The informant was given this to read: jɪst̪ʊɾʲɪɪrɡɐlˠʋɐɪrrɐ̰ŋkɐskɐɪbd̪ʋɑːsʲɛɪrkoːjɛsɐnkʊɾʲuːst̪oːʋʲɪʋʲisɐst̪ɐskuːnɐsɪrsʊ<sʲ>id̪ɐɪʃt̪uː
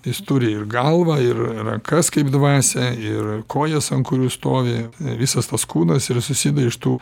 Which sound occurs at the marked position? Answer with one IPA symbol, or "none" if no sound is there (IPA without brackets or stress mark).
sʲ